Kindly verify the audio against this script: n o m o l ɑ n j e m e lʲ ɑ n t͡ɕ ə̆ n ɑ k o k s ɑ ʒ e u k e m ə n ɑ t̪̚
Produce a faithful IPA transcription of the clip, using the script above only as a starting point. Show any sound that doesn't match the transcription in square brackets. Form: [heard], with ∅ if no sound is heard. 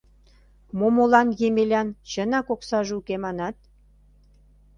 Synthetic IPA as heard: [m] o m o l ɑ n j e m e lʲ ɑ n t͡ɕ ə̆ n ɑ k o k s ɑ ʒ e u k e m [ɑ] n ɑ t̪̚